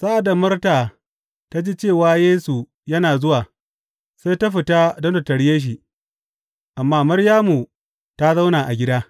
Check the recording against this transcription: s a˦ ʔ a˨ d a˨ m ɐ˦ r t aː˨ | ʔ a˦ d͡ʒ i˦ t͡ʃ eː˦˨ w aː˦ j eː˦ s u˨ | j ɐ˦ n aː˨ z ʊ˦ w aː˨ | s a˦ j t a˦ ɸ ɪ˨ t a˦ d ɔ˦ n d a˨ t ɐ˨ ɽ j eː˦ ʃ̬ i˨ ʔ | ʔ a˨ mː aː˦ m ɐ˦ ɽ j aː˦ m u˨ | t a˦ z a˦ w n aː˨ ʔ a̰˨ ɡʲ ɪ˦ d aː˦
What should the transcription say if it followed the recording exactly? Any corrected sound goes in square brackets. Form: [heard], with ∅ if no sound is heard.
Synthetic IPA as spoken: s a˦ ʔ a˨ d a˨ m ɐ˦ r t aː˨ | [t] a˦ d͡ʒ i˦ t͡ʃ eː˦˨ w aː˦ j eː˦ s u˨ | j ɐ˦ n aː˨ z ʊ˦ w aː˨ | s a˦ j t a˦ ɸ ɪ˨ t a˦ d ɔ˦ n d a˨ t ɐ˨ ɽ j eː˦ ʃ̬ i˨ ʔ | ʔ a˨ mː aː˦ m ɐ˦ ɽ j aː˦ m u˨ | t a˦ z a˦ w n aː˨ ʔ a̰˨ ɡʲ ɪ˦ d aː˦